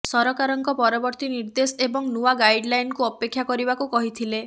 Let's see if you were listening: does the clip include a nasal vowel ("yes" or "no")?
no